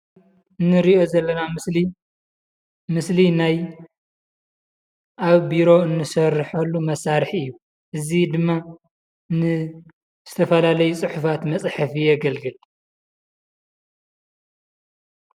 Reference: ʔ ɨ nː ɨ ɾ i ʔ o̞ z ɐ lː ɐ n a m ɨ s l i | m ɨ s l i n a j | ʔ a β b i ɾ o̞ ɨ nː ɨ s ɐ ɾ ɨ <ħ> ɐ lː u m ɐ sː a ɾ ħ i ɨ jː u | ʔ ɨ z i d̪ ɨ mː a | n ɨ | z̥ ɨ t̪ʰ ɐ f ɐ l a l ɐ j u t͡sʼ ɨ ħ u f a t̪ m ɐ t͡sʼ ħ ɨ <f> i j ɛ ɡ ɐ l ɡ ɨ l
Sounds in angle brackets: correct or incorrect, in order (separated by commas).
correct, correct